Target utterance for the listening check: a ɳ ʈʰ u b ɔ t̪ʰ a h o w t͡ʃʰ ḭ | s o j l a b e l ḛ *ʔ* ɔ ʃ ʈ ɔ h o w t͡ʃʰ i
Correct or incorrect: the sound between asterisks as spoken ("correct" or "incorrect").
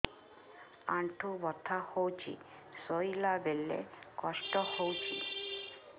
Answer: incorrect